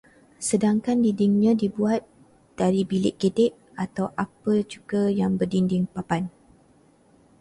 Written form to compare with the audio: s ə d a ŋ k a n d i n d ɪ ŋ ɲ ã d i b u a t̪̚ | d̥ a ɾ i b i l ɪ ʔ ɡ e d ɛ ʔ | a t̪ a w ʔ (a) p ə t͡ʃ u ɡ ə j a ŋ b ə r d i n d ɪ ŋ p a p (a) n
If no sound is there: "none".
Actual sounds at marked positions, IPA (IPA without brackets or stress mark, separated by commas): a, a